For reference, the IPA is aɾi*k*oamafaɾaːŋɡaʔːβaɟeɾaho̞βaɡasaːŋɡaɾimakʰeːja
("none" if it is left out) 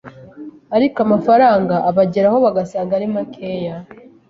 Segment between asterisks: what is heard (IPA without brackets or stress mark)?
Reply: k